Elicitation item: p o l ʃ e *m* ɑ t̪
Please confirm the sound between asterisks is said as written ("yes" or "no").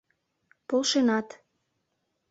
no